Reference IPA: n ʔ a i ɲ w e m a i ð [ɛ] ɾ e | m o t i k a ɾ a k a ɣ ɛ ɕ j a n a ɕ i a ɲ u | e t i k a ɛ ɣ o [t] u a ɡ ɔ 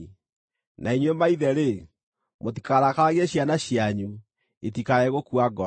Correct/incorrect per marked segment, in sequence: correct, incorrect: k

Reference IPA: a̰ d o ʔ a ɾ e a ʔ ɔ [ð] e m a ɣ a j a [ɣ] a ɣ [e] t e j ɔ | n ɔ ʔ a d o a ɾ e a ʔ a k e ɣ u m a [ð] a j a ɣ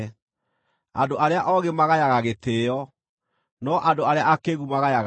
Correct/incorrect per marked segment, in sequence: incorrect: ɣ, correct, correct, incorrect: ɣ

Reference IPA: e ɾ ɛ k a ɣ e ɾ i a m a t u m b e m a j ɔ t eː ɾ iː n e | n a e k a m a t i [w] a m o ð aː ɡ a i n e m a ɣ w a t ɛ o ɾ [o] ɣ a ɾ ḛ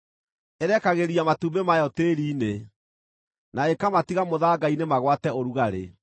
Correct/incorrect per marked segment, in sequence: incorrect: ɣ, incorrect: u

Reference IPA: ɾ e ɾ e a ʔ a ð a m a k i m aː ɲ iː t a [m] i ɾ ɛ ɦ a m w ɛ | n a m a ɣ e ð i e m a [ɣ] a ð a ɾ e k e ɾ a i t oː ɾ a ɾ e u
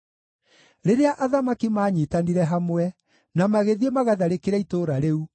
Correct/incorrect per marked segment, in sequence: incorrect: n, correct

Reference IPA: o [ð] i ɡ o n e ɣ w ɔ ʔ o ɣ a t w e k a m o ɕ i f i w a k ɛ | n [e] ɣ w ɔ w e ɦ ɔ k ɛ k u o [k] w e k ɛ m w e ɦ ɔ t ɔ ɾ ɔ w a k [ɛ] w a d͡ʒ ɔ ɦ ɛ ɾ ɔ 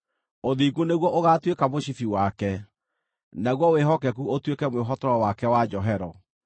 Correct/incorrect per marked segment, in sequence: correct, incorrect: a, incorrect: t, correct

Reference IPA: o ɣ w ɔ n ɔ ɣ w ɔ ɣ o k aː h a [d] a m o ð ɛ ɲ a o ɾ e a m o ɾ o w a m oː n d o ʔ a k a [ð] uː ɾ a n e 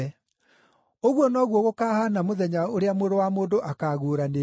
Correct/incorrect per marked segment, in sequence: incorrect: n, incorrect: ɣ

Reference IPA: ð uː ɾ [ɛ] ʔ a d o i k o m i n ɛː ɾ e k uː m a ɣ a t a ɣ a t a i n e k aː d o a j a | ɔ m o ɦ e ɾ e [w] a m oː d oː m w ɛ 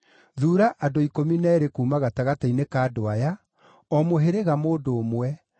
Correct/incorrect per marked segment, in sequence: incorrect: a, incorrect: ɣ

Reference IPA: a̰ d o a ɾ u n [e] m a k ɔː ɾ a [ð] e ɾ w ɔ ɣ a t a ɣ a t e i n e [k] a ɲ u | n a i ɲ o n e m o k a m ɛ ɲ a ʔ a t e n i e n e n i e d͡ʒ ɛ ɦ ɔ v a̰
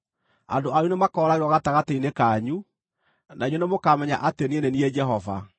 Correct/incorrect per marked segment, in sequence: correct, incorrect: ɣ, correct

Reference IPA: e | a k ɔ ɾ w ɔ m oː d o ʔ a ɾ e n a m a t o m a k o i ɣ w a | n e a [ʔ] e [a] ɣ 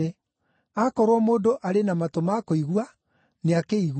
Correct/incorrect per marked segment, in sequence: incorrect: k, incorrect: i

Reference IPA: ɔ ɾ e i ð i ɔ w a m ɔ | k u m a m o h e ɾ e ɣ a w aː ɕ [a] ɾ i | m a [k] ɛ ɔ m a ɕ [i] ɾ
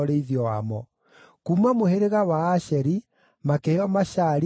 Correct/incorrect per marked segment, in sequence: incorrect: ɛ, correct, incorrect: a

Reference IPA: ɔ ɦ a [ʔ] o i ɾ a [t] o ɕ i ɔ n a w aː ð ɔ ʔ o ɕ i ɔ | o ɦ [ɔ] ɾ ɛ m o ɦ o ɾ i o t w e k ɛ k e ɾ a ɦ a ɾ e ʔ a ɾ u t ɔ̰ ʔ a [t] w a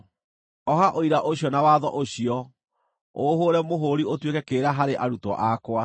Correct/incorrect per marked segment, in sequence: correct, incorrect: ʔ, incorrect: o, incorrect: k

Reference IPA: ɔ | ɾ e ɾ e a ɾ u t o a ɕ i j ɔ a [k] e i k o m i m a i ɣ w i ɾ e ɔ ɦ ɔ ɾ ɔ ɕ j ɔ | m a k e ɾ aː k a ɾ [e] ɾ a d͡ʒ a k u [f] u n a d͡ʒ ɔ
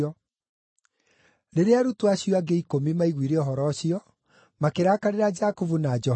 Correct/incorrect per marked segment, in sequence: incorrect: ɡ, correct, incorrect: v

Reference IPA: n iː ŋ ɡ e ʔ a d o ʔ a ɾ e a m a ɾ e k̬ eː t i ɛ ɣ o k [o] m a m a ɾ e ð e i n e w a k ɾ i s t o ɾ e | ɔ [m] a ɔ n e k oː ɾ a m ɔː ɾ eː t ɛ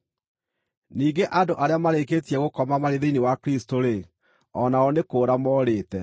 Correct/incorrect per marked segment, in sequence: incorrect: ɔ, incorrect: n

